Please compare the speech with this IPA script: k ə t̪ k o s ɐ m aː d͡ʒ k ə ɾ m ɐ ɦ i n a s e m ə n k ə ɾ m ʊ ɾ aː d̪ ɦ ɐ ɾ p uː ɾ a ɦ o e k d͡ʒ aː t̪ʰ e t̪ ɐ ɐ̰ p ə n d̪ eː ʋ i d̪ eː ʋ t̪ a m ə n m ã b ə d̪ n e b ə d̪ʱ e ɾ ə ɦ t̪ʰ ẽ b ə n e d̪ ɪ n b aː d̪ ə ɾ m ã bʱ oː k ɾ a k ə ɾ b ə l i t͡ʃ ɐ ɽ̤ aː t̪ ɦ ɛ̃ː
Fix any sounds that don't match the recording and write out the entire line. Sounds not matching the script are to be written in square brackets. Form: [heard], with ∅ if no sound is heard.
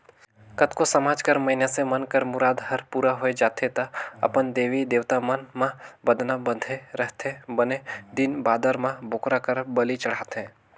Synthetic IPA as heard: k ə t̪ k o s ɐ m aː d͡ʒ k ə ɾ m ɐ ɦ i n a s e m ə n k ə ɾ m ʊ ɾ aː d̪ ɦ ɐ ɾ p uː ɾ a ɦ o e [∅] d͡ʒ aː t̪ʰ e t̪ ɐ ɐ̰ p ə n d̪ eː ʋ i d̪ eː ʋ t̪ a m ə n m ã b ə d̪ n [a] b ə d̪ʱ e ɾ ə ɦ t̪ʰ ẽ b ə n e d̪ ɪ n b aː d̪ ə ɾ m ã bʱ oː k ɾ a k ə ɾ b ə l i t͡ʃ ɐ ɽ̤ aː t̪ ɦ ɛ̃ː